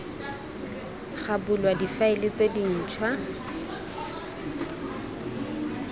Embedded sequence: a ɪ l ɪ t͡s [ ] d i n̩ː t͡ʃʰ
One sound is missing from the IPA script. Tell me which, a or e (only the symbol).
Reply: e